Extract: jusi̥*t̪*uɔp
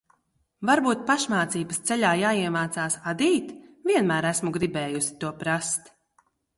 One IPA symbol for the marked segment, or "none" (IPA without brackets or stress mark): t̪